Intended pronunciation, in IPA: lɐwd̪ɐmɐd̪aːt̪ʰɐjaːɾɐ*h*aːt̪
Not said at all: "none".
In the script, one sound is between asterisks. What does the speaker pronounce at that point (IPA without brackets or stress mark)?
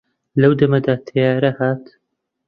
h